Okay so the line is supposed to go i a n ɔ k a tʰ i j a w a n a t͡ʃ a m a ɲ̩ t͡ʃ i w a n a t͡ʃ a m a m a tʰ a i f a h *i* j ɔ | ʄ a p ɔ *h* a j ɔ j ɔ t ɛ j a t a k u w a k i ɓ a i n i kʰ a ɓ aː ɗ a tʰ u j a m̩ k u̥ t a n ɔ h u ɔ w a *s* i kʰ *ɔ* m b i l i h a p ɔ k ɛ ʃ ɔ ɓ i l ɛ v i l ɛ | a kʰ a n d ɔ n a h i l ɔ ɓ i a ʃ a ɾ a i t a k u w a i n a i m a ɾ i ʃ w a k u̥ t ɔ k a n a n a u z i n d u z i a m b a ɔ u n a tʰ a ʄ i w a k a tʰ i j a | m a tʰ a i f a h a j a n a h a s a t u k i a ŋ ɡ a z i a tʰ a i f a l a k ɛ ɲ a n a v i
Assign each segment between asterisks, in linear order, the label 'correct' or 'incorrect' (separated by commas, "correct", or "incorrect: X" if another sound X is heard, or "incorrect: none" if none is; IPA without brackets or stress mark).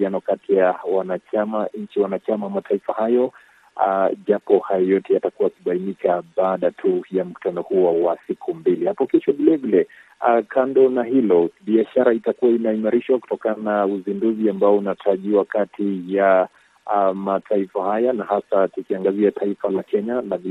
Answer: incorrect: a, correct, correct, incorrect: u